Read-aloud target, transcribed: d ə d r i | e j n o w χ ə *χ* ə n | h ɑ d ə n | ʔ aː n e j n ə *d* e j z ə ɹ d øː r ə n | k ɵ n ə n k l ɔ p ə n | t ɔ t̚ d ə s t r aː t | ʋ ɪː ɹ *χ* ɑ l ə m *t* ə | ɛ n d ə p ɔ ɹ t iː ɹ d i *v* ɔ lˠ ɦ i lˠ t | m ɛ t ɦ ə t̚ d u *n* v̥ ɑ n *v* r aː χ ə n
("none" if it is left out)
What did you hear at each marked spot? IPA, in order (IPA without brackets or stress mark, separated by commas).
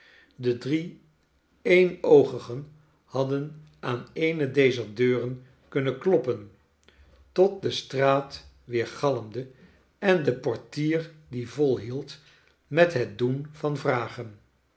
χ, d, χ, d, v, n, v